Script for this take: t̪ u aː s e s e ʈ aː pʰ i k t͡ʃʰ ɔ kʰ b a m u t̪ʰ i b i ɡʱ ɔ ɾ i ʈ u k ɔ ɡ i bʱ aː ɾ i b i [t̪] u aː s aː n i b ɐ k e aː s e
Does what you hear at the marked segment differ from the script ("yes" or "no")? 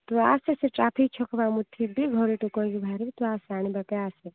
no